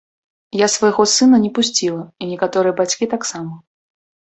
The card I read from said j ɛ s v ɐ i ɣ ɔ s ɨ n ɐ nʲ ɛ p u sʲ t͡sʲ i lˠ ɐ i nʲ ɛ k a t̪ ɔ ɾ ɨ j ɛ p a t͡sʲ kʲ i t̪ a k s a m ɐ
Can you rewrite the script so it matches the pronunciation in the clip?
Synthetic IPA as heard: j a s v ɐ j ɣ ɔ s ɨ n ɐ nʲ ɛ p u sʲ t͡sʲ i lˠ ɐ i nʲ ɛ k a t̪ ɔ ɾ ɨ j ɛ b a t͡sʲ kʲ i t̪ a k s a m ɐ